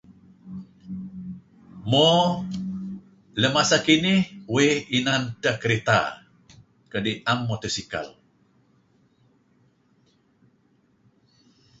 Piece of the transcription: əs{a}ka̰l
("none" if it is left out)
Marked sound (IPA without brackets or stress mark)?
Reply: i